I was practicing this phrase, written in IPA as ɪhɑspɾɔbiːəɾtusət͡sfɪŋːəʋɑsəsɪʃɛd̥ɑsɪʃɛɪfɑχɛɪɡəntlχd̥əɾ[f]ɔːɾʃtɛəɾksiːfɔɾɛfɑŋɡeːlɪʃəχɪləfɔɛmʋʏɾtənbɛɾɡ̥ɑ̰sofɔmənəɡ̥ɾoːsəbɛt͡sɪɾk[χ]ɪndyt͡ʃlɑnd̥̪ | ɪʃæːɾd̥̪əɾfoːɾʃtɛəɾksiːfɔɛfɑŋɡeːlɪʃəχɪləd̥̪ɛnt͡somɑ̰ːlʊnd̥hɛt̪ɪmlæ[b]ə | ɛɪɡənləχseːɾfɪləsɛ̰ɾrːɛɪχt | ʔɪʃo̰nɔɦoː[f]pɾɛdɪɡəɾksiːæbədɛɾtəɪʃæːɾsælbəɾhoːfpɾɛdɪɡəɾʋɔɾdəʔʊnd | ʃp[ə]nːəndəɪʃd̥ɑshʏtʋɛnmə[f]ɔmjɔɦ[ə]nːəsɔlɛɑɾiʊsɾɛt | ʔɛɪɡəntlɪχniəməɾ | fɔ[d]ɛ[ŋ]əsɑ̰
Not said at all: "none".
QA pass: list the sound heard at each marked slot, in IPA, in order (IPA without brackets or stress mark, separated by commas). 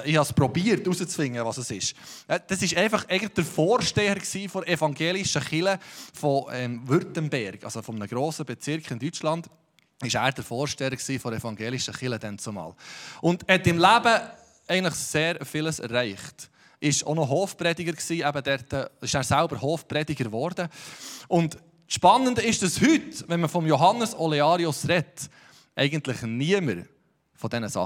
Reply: f, χ, b, f, ɑ, f, ɑ, d, n